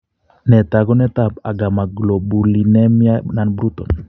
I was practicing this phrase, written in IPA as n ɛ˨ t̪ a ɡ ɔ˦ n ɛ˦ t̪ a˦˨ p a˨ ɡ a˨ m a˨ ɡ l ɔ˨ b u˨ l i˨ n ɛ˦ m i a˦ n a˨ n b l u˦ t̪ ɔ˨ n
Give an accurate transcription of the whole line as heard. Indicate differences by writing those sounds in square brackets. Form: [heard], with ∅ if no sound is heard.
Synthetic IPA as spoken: n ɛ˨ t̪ a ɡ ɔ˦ n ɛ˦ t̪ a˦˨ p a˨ ɡ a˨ m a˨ ɡ l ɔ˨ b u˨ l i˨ n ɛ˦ m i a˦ n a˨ n b [ɾ] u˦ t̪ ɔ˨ n